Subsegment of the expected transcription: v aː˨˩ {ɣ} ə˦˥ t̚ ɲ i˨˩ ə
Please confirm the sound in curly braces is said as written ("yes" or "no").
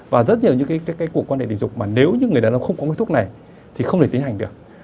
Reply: no